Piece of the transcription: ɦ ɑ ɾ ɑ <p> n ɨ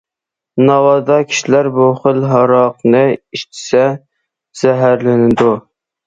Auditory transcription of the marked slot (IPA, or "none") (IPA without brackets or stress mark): q